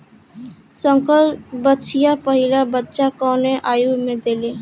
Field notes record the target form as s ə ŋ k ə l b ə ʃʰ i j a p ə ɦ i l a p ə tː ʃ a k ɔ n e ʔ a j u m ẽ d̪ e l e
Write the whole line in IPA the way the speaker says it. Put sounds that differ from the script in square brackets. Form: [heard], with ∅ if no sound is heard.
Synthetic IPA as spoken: s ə ŋ k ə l b ə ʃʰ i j a p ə ɦ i l a [b] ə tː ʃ a k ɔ n e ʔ a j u m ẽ d̪ e l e